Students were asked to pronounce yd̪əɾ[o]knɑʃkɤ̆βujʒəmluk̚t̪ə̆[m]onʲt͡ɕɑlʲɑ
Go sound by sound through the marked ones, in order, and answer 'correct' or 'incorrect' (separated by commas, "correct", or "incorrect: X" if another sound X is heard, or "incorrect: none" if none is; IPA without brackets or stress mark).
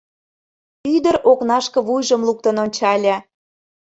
correct, incorrect: n